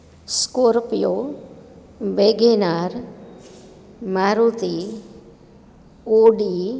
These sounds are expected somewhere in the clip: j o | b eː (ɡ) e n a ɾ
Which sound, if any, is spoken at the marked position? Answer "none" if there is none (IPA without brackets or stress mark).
ɡ